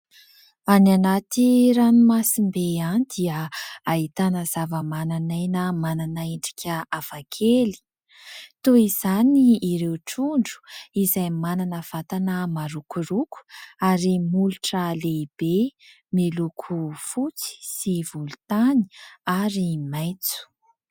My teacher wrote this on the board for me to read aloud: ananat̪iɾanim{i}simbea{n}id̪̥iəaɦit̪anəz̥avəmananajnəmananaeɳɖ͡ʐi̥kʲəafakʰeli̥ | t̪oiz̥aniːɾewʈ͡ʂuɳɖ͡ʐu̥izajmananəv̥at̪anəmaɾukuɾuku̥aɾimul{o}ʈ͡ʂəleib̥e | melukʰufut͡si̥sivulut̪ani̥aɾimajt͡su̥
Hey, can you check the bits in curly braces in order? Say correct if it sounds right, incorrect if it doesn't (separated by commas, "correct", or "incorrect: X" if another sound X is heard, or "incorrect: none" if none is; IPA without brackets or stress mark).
incorrect: a, correct, incorrect: u